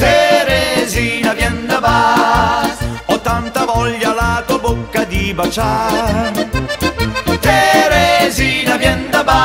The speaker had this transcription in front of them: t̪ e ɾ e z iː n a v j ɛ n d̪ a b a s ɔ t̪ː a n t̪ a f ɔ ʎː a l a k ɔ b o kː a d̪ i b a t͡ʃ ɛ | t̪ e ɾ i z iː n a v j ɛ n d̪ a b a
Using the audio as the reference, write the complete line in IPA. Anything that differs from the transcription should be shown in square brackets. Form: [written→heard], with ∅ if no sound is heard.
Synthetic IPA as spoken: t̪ e ɾ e z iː n a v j ɛ n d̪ a b a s ɔ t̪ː a n t̪ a [f→v] ɔ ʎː a l a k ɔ b o kː a d̪ i b a t͡ʃ [ɛ→a] | t̪ e ɾ [i→e] z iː n a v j ɛ n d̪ a b a